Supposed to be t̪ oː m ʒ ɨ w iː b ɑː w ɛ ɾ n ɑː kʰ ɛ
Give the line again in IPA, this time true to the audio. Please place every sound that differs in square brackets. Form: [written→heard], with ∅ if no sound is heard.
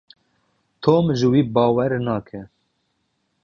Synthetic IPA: [t̪→t̪ʰ] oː m ʒ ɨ w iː b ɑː w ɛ ɾ n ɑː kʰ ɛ